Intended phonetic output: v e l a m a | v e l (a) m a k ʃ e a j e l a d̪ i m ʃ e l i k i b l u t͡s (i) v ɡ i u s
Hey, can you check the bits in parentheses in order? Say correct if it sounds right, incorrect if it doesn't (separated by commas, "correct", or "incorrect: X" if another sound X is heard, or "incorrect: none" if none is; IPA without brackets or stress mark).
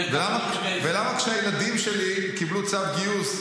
correct, incorrect: a